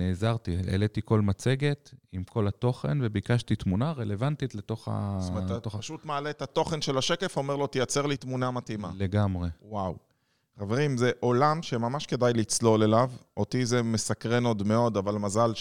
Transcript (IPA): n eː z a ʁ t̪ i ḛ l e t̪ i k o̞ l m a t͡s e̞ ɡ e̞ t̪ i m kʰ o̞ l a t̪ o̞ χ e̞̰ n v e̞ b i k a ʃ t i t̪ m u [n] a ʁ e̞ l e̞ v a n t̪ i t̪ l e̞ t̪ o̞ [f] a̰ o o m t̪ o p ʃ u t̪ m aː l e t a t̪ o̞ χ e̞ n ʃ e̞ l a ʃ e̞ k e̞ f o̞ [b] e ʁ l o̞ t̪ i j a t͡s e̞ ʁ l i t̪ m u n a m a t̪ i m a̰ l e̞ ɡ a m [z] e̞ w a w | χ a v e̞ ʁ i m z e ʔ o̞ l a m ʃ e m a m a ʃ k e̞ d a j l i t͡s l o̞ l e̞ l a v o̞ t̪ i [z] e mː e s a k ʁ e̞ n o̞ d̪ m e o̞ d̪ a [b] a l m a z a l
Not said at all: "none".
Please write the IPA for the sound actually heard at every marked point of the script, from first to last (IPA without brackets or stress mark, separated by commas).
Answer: n, χ, m, ʁ, z, v